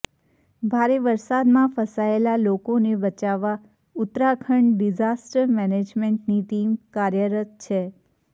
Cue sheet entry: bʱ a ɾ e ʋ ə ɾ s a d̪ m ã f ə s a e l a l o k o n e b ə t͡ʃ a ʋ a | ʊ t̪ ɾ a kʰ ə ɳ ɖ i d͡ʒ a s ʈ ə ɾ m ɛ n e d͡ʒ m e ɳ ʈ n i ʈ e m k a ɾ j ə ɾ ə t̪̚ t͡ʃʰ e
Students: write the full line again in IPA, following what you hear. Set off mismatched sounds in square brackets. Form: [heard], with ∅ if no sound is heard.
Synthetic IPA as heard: bʱ a ɾ e ʋ ə ɾ s a d̪ m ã f ə s a e l a l o k o n e b ə t͡ʃ a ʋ a | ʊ t̪ ɾ a kʰ ə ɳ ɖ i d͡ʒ a s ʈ ə ɾ m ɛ n e d͡ʒ m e ɳ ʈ n i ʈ [i] m k a ɾ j ə ɾ ə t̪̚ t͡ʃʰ e